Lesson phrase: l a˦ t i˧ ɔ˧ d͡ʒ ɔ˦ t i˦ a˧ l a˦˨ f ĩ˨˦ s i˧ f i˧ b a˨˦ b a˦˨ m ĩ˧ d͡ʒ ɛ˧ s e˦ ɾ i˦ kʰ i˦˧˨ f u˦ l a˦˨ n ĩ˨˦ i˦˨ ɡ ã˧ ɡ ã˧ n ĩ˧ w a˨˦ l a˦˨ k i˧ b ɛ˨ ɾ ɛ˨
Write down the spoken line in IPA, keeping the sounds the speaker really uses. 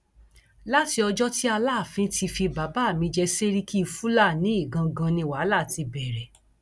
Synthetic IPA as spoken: l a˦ t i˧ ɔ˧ d͡ʒ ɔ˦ t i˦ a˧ l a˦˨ f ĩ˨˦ t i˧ f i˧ b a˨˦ b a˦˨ m ĩ˧ d͡ʒ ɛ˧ s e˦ ɾ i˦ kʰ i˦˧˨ f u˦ l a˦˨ n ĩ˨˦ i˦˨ ɡ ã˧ ɡ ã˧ n ĩ˧ w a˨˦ l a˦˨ t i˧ b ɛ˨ ɾ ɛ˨